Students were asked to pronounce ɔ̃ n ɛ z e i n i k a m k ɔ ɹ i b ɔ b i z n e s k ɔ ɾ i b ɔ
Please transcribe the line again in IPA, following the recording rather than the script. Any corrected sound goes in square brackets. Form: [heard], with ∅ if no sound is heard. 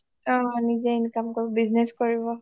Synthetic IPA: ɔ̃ n [i] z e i n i k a m k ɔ ɹ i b ɔ b i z n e s k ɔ [ɹ] i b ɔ